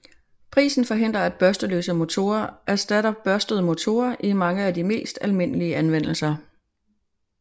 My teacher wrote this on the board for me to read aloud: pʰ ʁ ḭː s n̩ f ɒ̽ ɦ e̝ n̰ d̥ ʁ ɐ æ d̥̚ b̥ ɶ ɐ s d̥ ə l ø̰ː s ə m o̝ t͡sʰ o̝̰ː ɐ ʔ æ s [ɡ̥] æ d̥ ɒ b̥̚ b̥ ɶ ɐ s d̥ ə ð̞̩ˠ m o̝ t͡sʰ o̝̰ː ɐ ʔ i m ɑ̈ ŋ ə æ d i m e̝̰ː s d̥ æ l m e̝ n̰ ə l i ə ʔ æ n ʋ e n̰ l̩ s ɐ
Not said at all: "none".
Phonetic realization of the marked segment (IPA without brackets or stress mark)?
d̥